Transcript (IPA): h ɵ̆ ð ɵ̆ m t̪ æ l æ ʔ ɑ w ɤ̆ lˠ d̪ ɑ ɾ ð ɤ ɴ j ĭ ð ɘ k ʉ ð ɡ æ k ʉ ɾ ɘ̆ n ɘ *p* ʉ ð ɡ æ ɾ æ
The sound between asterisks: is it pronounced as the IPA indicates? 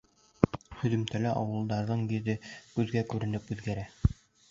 yes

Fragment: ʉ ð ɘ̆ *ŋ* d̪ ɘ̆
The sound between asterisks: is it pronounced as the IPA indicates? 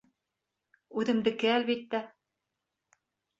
no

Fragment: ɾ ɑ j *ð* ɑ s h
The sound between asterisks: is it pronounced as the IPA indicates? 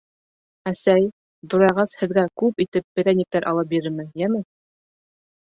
no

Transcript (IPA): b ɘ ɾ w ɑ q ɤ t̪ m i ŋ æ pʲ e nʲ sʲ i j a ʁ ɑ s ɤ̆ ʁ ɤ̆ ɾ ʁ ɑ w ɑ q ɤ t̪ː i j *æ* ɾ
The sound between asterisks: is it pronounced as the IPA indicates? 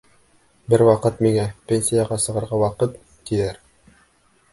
yes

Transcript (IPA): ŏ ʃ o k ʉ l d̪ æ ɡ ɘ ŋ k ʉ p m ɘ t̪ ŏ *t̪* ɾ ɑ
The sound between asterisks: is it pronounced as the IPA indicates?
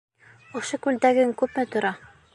no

